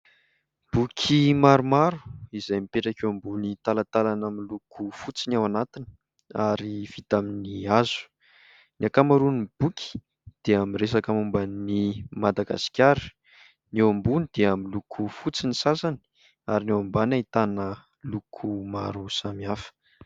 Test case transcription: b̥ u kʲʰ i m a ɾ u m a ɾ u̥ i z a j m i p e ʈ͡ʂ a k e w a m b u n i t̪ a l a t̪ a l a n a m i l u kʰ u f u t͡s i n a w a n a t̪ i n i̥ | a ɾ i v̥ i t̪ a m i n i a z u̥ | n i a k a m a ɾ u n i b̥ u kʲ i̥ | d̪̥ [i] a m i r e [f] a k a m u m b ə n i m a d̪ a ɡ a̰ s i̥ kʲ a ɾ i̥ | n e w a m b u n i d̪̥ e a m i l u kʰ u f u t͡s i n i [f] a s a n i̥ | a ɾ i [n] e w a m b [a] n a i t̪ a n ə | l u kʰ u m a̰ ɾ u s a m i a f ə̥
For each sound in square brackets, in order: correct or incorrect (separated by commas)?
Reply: incorrect, incorrect, incorrect, correct, correct